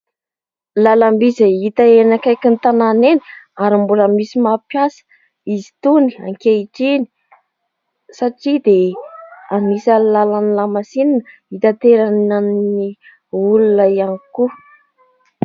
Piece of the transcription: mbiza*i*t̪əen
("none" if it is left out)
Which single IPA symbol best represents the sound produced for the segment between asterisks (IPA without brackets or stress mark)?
i